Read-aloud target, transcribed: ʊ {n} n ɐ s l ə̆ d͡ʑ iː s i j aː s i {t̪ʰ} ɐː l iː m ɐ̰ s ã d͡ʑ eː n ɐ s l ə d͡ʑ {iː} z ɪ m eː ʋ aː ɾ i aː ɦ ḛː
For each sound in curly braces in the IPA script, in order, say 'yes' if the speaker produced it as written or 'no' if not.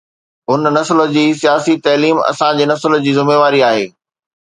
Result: yes, no, yes

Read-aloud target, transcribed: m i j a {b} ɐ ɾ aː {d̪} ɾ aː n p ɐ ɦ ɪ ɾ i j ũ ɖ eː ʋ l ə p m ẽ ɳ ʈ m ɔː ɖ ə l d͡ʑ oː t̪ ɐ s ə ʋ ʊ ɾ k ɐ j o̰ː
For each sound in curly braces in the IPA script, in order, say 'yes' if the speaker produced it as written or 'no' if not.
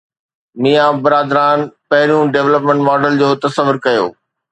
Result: yes, yes

